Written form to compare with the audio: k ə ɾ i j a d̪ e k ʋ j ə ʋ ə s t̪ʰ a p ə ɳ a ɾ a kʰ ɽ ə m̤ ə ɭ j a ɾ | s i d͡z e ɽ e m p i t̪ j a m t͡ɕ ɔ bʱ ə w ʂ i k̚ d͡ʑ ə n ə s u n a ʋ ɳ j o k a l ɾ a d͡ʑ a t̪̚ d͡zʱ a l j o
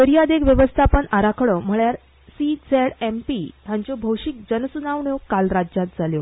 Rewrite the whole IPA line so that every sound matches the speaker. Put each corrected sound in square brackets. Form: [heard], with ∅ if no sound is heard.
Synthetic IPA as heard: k ə ɾ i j a d̪ e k ʋ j ə ʋ ə s t̪ʰ a p ə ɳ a ɾ a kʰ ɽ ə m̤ ə ɭ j a ɾ | s i d͡z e ɽ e m p i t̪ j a [ɲ] t͡ɕ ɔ bʱ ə w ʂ i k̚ d͡ʑ ə n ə s u n a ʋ ɳ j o k a l ɾ a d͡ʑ a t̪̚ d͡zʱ a l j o